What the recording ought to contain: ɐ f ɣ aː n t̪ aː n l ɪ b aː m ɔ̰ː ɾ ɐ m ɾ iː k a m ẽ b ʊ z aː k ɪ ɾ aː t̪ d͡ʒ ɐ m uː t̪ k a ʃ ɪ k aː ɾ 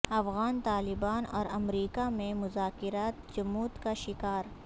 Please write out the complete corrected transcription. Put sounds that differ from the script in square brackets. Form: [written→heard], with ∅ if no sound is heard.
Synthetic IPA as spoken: ɐ f ɣ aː n t̪ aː [n→∅] l ɪ b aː [m→n] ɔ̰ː ɾ ɐ m ɾ iː k a m ẽ [b→m] ʊ z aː k ɪ ɾ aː t̪ d͡ʒ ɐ m uː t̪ k a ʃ ɪ k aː ɾ